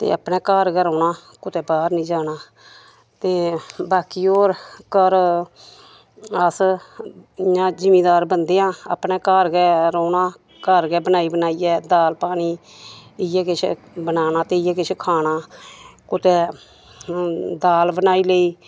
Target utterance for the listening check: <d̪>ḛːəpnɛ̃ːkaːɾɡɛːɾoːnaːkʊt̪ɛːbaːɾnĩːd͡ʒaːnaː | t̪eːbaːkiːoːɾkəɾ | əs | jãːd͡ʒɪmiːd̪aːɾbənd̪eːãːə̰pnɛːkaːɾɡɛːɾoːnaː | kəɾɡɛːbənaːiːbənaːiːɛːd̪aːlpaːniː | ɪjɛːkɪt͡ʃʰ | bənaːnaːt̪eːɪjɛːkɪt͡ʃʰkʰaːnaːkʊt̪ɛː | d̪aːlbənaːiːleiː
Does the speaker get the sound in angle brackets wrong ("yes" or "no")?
yes